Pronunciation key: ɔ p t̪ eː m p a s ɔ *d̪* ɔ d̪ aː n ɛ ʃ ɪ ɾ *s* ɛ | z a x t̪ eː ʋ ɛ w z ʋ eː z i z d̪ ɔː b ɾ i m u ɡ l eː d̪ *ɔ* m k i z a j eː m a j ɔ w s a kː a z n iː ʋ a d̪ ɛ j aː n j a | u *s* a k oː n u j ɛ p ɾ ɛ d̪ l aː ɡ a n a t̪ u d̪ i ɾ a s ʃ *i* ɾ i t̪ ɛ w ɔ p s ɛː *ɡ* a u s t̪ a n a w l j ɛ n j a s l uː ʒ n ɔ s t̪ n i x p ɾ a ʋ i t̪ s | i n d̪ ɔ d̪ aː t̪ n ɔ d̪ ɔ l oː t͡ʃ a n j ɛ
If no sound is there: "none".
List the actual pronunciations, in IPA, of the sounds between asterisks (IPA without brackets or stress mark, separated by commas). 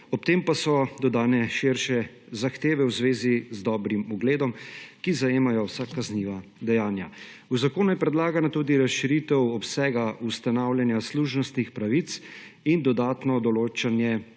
d̪, ʃ, ɔ, z, i, ɡ